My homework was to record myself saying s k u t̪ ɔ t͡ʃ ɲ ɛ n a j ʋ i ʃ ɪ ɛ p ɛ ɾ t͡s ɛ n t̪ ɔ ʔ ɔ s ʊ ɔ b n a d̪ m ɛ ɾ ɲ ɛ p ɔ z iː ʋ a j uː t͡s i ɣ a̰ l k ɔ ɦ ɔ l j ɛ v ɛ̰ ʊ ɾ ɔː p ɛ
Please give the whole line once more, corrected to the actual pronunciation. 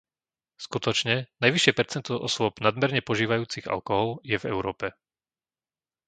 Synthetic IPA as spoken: s k u t̪ ɔ t͡ʃ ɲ ɛ n a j ʋ i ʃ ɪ ɛ p ɛ ɾ t͡s ɛ n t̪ ɔ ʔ ɔ s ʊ ɔ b n a d̪ m ɛ ɾ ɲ ɛ p ɔ ʒ iː ʋ a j uː t͡s i ɣ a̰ l k ɔ ɦ ɔ l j ɛ v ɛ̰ ʊ ɾ ɔː p ɛ